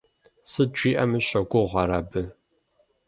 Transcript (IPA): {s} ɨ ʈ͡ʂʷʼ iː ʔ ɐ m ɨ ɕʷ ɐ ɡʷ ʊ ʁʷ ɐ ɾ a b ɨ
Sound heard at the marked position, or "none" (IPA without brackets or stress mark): s